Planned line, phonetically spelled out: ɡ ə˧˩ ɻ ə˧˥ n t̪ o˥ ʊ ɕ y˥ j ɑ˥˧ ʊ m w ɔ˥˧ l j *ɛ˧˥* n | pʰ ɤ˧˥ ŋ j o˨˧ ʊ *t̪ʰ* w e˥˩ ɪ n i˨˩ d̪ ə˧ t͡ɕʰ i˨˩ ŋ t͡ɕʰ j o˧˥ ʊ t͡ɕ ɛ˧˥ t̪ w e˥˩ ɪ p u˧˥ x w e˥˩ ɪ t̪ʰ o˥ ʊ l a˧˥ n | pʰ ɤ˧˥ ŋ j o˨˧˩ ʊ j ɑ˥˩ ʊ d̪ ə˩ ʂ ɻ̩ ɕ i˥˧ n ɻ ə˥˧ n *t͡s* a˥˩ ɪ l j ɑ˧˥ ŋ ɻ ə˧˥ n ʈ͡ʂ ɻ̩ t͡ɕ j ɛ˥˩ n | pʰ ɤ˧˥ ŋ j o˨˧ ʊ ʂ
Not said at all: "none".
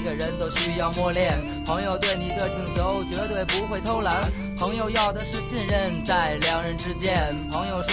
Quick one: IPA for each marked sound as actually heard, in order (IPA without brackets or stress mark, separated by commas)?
ɛ˥˩, t̪, t͡s